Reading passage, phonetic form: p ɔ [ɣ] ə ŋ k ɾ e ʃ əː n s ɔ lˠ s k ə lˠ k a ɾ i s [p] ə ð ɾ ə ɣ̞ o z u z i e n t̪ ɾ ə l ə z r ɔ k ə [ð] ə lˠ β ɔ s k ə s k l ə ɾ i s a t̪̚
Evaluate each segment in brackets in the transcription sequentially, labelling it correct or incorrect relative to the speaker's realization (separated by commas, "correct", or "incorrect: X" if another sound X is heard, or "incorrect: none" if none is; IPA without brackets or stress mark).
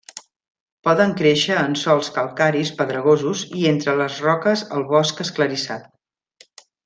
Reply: incorrect: ð, correct, incorrect: z